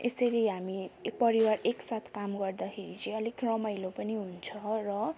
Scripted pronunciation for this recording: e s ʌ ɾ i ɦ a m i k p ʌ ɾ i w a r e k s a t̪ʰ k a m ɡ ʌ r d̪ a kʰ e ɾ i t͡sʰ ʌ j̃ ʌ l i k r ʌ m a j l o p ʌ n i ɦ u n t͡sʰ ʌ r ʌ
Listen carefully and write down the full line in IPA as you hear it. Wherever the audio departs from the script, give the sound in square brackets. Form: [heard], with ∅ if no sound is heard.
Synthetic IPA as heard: e s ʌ ɾ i ɦ a m i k p ʌ ɾ i w a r e k s a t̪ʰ k a m ɡ ʌ r d̪ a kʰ e ɾ i [t͡s] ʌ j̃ ʌ l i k r ʌ m a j l o p ʌ n i ɦ u n t͡sʰ ʌ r ʌ